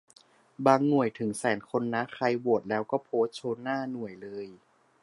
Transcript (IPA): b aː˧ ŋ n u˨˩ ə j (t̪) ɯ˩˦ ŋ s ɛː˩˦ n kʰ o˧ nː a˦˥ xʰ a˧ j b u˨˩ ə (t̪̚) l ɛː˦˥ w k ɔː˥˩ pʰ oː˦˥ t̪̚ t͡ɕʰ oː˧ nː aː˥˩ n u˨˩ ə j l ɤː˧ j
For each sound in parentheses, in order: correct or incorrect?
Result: incorrect: t̪ʰ, correct

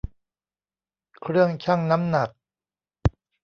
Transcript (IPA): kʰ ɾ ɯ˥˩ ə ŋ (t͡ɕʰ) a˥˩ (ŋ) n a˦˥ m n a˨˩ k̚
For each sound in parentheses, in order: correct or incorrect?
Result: correct, correct

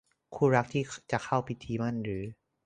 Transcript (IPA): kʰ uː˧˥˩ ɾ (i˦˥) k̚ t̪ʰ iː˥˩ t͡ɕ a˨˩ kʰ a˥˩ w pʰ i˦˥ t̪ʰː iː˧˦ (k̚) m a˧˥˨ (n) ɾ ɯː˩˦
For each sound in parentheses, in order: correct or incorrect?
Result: incorrect: a˦˥, incorrect: none, correct

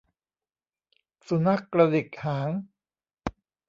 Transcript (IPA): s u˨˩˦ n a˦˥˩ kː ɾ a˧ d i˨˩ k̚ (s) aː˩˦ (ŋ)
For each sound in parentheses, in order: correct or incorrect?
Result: incorrect: h, correct

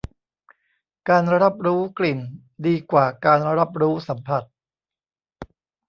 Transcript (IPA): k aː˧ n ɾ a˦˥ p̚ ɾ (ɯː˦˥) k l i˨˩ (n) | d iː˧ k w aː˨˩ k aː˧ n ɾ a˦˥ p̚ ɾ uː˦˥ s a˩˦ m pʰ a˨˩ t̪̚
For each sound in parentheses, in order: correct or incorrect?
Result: incorrect: uː˦˥, correct

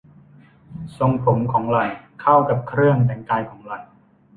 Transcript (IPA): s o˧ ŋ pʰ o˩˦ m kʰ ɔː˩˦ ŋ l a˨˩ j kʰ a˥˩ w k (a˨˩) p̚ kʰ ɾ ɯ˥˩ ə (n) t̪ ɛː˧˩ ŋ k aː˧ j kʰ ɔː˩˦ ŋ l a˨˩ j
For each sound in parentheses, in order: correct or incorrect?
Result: correct, incorrect: ŋ

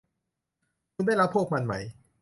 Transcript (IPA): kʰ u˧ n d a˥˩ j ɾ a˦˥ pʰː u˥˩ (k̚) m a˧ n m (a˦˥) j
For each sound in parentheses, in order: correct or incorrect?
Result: correct, correct

